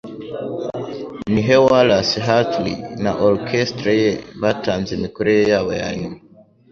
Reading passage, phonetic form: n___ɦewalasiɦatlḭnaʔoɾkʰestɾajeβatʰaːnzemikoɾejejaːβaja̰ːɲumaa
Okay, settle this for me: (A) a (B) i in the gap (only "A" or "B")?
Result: B